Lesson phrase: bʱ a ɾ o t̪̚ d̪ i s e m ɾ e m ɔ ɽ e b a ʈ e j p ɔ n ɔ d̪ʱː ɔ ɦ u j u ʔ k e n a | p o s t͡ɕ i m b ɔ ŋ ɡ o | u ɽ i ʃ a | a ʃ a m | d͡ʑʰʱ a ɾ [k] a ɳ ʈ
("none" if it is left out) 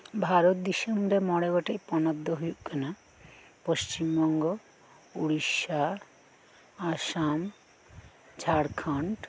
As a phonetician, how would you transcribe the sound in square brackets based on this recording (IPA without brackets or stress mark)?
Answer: kʰ